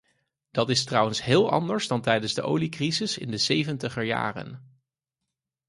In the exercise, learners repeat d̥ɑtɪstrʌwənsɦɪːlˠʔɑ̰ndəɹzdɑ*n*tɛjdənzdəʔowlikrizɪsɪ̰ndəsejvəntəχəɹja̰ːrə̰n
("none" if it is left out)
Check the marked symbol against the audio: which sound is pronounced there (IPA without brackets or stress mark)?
n